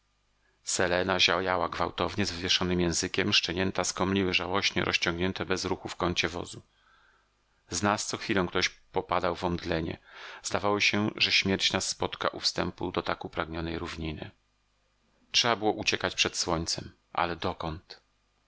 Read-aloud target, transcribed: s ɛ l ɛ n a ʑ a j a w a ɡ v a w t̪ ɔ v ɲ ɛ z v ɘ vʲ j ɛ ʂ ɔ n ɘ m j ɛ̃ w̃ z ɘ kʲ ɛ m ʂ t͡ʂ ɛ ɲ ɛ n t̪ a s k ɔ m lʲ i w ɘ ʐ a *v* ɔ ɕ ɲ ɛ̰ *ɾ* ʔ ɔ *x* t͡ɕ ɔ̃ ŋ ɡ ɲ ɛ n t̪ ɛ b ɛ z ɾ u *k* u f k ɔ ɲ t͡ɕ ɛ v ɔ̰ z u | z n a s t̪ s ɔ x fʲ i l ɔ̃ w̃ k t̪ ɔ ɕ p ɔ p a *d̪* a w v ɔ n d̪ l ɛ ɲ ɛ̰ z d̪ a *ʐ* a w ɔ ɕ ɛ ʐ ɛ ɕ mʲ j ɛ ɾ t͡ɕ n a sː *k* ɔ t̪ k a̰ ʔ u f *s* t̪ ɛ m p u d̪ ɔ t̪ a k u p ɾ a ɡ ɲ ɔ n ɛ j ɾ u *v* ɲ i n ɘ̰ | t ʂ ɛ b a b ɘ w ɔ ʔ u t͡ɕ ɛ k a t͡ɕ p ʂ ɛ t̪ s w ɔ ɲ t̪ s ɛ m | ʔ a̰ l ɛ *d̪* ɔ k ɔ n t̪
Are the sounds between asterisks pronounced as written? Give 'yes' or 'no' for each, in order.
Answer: no, yes, no, no, yes, no, no, yes, yes, yes

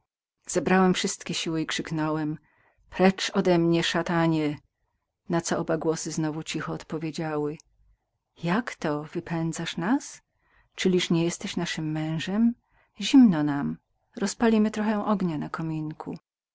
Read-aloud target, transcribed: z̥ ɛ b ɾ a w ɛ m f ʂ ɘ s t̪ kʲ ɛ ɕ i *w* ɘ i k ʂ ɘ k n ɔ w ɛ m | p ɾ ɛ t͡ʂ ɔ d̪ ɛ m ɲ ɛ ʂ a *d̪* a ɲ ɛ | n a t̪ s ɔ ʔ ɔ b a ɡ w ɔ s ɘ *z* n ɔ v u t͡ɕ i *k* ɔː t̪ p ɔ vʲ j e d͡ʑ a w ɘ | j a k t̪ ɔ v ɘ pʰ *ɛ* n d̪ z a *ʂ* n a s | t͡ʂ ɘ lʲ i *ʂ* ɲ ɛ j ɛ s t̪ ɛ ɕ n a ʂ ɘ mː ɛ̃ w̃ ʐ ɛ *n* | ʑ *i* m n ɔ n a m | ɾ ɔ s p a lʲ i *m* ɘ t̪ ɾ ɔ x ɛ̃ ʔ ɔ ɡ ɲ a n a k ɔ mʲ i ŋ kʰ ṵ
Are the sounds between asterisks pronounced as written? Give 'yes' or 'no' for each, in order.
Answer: yes, no, yes, no, yes, yes, yes, no, yes, yes

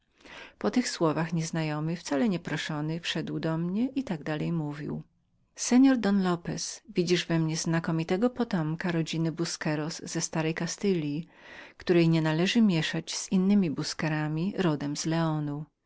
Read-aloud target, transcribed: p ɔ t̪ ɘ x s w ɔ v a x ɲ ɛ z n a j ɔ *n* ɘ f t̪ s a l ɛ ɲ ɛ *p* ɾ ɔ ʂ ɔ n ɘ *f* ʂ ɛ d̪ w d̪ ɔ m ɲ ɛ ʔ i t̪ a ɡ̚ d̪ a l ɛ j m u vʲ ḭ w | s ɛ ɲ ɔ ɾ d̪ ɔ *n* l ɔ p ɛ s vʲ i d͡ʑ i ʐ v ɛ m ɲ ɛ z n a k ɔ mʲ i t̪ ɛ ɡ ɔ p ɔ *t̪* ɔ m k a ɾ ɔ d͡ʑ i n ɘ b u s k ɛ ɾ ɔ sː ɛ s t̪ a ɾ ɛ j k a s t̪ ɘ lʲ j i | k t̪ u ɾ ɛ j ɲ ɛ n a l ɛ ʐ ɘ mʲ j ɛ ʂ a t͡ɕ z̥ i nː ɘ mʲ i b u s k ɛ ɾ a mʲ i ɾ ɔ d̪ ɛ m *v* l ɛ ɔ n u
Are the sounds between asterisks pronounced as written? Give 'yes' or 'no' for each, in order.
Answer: no, yes, yes, yes, yes, no

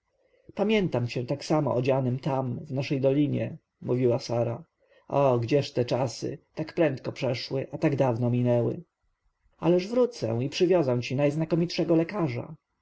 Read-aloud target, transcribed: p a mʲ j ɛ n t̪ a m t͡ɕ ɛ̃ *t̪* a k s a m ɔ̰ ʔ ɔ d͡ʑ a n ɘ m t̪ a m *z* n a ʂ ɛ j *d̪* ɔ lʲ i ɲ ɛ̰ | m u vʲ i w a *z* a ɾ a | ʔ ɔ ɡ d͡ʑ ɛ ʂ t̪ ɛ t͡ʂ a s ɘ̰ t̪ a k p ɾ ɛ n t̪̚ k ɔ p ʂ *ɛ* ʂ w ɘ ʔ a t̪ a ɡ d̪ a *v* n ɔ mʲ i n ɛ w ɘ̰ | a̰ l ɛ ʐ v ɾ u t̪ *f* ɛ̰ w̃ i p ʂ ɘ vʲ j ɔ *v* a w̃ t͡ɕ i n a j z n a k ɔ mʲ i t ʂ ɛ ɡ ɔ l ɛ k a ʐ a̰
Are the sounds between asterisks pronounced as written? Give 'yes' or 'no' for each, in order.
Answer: yes, no, yes, no, yes, yes, no, no

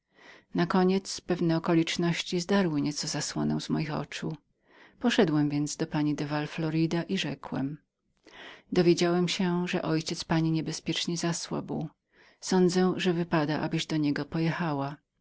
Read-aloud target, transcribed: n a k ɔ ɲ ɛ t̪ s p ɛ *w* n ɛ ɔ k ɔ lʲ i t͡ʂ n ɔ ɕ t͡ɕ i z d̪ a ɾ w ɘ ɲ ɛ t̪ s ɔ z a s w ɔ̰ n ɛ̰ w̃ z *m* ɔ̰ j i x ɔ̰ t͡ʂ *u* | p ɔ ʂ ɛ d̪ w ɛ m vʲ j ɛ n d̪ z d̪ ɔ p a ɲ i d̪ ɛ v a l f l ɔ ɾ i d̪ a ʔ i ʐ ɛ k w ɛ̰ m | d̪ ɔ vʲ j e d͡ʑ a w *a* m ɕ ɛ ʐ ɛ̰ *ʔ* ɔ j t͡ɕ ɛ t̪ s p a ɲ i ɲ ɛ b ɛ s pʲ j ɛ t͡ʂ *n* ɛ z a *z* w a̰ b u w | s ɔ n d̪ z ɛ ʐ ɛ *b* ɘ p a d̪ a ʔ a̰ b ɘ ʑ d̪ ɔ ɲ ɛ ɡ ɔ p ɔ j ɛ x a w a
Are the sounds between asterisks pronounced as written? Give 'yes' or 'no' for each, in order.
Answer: no, yes, yes, no, yes, no, no, no

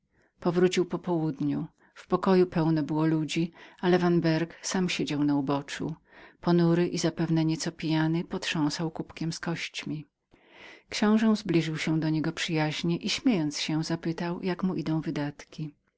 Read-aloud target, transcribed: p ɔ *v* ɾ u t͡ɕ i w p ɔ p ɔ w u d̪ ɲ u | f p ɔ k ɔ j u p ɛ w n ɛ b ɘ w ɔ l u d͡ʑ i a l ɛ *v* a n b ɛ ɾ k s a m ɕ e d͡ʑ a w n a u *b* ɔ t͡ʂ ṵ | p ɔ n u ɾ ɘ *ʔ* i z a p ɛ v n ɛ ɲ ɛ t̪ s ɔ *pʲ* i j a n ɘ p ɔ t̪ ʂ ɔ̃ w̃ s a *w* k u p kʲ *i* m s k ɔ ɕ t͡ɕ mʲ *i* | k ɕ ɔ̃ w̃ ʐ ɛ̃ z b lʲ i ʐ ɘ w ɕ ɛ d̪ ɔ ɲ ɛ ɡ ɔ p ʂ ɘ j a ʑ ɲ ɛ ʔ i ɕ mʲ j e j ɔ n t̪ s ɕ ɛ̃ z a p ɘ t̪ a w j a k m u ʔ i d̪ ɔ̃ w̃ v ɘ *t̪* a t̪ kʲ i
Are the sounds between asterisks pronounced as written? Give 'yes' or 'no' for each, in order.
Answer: yes, yes, yes, yes, yes, yes, no, yes, no

